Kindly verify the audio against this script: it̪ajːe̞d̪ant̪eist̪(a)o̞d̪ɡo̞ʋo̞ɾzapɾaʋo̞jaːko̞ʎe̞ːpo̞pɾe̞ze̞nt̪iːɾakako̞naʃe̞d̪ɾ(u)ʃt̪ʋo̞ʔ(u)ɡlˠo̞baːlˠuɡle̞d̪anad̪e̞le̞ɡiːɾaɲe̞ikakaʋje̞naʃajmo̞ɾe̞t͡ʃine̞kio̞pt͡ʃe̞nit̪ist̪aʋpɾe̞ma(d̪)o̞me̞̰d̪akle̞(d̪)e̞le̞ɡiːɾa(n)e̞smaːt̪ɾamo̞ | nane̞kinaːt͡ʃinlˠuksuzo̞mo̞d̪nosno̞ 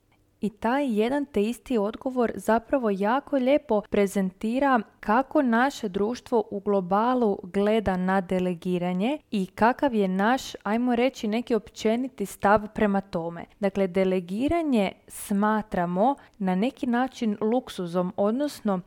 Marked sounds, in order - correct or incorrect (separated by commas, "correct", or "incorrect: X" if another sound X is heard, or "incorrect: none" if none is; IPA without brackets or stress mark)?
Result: incorrect: i, incorrect: uː, correct, incorrect: t̪, correct, incorrect: ɲ